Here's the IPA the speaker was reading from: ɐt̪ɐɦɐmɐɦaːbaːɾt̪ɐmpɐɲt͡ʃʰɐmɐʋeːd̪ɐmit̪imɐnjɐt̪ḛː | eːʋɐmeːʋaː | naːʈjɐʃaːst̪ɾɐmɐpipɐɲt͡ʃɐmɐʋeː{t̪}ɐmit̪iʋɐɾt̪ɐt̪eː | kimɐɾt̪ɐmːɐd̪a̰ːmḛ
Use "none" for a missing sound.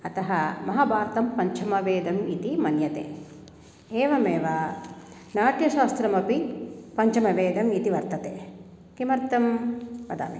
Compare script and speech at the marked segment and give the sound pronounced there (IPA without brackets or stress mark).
d̪